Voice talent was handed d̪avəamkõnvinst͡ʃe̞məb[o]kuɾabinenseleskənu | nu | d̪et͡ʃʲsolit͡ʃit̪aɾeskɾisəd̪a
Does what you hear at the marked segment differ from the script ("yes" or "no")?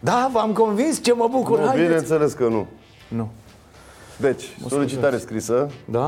yes